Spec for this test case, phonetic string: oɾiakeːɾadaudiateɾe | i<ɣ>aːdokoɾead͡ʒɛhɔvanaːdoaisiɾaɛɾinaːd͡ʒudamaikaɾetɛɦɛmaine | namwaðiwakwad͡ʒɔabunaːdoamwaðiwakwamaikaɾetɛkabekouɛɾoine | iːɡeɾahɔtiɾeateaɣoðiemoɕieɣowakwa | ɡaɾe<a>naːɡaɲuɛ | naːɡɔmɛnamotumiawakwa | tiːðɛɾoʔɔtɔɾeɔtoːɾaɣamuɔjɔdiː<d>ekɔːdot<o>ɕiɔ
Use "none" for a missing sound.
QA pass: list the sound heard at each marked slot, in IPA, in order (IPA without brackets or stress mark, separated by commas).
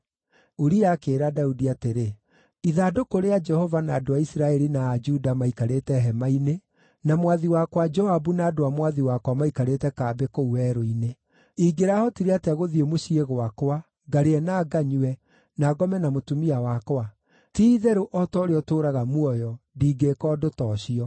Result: ð, ɛ, ɡ, ɔ